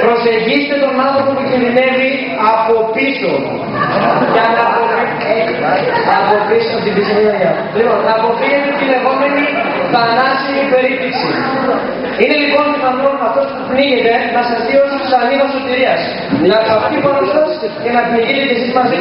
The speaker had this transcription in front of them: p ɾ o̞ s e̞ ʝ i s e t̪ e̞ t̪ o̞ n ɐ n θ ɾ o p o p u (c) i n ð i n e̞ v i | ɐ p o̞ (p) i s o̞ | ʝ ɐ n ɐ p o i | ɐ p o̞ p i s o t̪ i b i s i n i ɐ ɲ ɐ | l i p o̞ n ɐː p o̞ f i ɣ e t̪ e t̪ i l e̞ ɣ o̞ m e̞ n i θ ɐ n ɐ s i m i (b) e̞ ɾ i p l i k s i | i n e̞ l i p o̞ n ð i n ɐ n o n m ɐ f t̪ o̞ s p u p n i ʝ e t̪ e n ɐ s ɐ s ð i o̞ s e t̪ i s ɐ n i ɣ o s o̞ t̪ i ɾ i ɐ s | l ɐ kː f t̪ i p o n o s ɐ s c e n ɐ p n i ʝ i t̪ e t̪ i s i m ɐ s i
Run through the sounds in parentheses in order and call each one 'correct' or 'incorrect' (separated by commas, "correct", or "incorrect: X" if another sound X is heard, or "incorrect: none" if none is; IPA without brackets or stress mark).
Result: correct, correct, incorrect: p